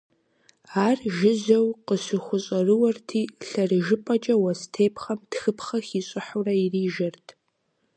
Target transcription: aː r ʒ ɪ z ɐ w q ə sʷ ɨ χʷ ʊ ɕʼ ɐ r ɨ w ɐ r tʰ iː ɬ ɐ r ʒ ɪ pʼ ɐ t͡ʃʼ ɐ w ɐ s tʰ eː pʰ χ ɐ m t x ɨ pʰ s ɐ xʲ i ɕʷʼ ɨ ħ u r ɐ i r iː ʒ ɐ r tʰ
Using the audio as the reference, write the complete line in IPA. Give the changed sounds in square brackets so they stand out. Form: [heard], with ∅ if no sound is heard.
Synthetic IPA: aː r ʒ ɪ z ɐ w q ə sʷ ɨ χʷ ʊ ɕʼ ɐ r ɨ w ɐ r tʰ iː ɬ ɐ r ʒ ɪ pʼ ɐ t͡ʃʼ ɐ w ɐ s tʰ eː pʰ χ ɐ m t x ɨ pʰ [χ] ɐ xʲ i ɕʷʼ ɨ ħ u r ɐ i r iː ʒ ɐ r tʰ